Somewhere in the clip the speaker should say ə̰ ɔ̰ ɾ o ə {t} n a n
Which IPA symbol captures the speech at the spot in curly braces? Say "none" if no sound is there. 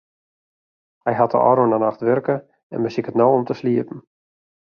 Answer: none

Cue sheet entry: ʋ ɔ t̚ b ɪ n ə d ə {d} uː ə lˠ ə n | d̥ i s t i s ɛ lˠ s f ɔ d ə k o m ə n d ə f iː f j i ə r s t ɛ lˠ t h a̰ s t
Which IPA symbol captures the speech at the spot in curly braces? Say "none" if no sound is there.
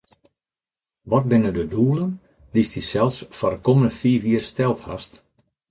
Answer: d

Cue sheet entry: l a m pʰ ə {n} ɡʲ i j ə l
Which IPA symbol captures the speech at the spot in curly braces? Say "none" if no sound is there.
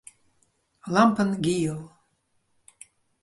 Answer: n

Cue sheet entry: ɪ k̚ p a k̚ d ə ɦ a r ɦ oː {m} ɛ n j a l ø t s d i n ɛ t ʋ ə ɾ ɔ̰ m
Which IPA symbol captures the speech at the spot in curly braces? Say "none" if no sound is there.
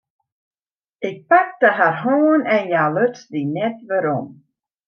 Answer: n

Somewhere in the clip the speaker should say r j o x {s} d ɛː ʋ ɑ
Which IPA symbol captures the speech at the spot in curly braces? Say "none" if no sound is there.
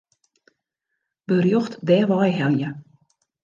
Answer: t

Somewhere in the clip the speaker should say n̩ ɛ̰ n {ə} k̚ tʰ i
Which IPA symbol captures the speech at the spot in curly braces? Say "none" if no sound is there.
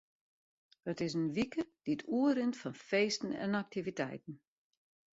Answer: a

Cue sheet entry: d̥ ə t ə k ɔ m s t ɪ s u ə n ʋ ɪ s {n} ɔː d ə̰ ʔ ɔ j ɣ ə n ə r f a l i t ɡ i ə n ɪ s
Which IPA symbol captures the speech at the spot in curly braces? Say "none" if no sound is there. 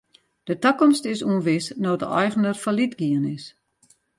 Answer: n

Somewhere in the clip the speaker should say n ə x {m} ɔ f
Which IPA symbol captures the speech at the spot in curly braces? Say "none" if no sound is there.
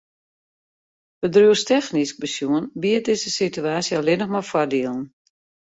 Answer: m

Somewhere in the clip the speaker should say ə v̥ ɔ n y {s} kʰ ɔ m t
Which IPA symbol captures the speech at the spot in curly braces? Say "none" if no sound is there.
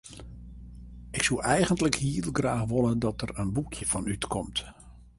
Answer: t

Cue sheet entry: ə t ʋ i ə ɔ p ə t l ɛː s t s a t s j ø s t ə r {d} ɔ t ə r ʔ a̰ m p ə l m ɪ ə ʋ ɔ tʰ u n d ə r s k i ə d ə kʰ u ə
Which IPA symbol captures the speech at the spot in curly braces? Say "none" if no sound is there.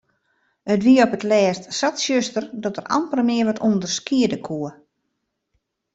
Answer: d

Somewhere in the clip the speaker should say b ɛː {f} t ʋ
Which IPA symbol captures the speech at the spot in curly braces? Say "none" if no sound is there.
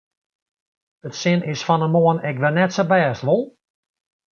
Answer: s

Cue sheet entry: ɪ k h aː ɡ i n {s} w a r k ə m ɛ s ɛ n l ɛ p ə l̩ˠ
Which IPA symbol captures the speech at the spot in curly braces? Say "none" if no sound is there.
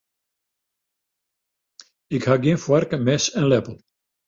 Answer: f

